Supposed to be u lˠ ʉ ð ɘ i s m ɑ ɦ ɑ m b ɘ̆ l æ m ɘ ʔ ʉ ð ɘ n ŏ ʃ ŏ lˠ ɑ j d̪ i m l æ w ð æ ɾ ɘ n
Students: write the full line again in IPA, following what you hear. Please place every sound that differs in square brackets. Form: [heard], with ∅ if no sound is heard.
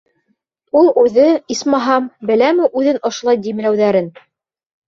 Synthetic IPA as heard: u lˠ ʉ ð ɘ i s m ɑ ɦ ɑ m b ɘ̆ l æ m ɘ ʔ ʉ ð ɘ n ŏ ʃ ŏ lˠ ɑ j d̪ i m l æ w ð æ ɾ ɘ n